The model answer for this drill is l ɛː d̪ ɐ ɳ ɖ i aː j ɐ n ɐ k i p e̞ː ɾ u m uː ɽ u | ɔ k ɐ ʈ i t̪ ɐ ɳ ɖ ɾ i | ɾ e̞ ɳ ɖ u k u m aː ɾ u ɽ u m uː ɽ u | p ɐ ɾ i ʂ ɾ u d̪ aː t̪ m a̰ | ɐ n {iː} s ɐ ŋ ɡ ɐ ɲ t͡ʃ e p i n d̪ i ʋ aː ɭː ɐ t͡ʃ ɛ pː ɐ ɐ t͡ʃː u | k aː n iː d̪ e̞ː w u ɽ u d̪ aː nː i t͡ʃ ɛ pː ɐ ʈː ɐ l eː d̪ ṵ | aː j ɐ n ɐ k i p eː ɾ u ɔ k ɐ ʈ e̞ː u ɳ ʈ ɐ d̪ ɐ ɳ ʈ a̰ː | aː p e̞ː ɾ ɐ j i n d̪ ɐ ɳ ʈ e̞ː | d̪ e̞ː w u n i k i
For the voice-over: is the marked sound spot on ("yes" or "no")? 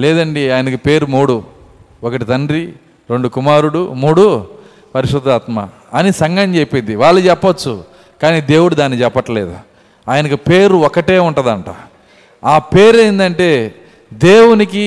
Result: no